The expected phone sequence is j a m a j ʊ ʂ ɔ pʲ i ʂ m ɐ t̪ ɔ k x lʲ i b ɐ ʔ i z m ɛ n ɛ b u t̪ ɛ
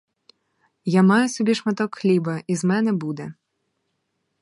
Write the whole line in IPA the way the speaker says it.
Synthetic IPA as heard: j a m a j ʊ s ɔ bʲ i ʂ m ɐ t̪ ɔ k x lʲ i b ɐ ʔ i z m ɛ n ɛ b u d̪ ɛ